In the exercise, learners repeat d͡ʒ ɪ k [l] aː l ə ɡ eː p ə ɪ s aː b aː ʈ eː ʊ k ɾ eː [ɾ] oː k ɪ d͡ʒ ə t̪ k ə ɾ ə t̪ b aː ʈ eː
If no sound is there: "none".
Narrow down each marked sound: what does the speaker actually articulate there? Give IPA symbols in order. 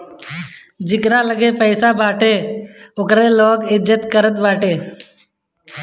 ɾ, l

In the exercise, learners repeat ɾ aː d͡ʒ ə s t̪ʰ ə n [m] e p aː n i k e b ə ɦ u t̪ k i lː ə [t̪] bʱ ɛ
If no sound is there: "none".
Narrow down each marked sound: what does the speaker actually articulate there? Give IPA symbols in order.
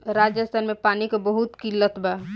m, t̪

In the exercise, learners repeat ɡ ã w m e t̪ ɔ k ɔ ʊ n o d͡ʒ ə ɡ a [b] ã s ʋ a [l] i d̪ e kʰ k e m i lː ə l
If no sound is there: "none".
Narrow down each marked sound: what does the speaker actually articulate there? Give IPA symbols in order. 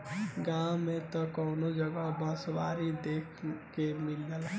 b, ɾ

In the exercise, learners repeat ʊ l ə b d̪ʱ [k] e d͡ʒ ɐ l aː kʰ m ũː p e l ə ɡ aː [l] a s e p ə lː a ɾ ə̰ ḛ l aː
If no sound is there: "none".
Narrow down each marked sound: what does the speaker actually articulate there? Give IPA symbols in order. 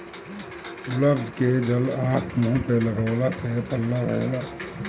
k, l

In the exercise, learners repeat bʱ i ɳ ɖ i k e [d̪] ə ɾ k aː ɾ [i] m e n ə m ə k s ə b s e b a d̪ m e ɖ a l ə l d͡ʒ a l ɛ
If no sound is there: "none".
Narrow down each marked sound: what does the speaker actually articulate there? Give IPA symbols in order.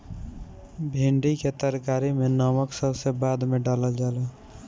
t̪, i

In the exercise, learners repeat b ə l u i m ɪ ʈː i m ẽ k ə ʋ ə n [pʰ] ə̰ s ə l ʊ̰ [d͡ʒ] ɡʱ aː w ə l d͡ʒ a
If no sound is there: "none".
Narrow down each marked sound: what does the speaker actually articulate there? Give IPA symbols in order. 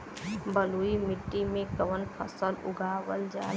pʰ, none

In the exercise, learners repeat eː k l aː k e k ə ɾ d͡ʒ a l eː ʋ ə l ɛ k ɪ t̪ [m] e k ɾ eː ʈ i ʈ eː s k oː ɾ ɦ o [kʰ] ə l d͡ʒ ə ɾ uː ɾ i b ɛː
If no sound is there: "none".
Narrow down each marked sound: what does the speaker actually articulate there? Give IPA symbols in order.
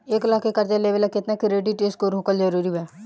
n, k

